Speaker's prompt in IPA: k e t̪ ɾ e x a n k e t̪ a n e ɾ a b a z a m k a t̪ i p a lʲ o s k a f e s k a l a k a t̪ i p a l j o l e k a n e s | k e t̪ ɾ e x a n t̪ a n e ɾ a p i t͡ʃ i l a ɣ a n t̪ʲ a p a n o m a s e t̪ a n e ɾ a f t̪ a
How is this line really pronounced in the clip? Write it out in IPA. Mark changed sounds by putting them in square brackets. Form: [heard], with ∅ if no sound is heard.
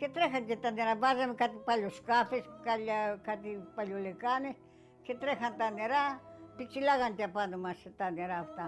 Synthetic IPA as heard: k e t̪ ɾ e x a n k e t̪ a n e ɾ a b a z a m k a t̪ i p a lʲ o s k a f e s k a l a k a t̪ i p a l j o l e k a n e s | k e t̪ ɾ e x a n t̪ a n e ɾ a p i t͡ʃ i l a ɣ a n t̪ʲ a p a n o m a s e t̪ a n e ɾ a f t̪ a